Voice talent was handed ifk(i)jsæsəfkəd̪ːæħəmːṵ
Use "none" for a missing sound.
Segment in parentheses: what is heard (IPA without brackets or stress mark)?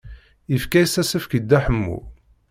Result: æ